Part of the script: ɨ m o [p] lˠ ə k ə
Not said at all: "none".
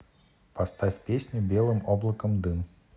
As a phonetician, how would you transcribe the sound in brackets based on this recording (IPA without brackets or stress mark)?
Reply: b